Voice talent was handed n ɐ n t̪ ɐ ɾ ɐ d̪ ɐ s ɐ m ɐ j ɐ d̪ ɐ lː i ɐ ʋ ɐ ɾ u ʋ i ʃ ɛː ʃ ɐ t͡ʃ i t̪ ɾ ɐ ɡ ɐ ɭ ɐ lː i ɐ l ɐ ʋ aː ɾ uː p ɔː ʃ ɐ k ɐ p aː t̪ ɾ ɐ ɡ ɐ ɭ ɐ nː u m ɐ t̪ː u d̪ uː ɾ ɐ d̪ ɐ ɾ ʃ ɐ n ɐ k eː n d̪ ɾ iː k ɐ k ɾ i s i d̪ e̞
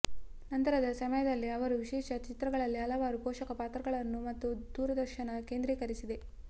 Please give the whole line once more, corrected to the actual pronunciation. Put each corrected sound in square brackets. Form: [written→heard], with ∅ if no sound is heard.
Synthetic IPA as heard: n ɐ n t̪ ɐ ɾ ɐ d̪ ɐ s ɐ m ɐ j ɐ d̪ ɐ lː i ɐ ʋ ɐ ɾ u ʋ i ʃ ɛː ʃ ɐ t͡ʃ i t̪ ɾ ɐ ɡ ɐ ɭ ɐ lː i ɐ l ɐ ʋ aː ɾ [uː→u] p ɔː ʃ ɐ k ɐ p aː t̪ ɾ ɐ ɡ ɐ ɭ ɐ nː u m ɐ t̪ː u d̪ uː ɾ ɐ d̪ ɐ ɾ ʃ ɐ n ɐ k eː n d̪ ɾ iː k ɐ [k→∅] ɾ i s i d̪ e̞